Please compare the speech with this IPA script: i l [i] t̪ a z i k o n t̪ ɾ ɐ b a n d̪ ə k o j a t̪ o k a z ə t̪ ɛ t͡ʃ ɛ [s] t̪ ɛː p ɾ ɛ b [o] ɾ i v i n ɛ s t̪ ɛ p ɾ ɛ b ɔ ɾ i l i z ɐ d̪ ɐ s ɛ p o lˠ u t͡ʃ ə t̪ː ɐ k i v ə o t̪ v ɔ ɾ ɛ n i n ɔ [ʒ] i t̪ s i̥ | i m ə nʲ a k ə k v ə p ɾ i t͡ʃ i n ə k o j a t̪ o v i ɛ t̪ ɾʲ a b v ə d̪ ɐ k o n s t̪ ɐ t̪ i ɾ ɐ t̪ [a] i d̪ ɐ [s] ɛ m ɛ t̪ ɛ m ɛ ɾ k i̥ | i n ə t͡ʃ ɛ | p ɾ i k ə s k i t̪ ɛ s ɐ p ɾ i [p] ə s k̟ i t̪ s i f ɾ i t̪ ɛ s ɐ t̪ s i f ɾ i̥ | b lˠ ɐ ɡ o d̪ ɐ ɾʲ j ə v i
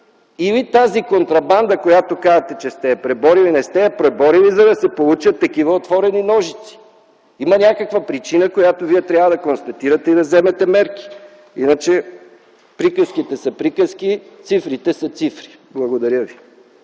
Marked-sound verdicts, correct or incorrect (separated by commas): correct, correct, incorrect, correct, incorrect, incorrect, incorrect